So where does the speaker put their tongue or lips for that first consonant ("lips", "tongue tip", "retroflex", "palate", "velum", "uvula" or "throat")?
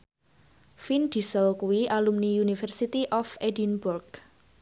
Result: lips